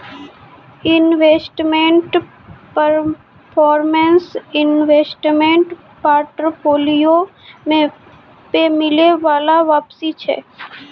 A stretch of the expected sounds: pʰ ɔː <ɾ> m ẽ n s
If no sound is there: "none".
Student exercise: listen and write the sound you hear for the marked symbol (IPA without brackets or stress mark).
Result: ɾ